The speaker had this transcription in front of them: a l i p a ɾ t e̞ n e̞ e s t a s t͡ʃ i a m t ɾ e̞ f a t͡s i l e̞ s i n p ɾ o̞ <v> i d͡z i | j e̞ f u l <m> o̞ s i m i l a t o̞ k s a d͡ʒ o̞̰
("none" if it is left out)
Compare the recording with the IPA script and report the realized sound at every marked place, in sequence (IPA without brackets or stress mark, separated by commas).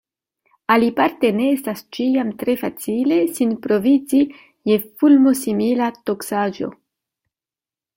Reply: v, m